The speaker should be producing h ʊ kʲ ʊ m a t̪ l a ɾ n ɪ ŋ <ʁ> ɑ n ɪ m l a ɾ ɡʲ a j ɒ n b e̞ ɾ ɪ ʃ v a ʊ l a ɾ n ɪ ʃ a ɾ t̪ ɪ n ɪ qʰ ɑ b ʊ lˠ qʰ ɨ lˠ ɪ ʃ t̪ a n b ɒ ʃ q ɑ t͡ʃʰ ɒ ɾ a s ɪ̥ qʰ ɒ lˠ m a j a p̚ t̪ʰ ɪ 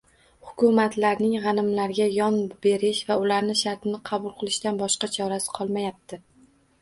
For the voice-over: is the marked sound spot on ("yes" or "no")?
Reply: yes